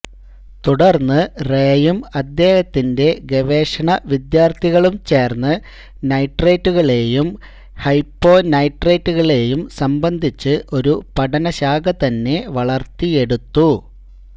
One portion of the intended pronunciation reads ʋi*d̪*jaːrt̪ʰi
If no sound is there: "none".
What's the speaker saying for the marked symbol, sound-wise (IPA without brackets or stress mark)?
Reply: d̪